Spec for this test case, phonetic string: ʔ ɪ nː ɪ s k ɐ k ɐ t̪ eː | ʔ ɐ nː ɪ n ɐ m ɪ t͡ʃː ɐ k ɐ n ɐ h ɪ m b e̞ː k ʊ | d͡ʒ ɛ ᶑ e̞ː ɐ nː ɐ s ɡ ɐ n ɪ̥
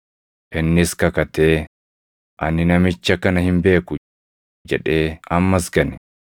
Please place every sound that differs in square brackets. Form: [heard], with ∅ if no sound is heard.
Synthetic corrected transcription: ʔ ɪ nː ɪ s k ɐ k ɐ t̪ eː | ʔ ɐ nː ɪ n ɐ m ɪ t͡ʃː ɐ k ɐ n ɐ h ɪ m b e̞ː k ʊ | d͡ʒ ɛ ᶑ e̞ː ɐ [mː] ɐ s ɡ ɐ n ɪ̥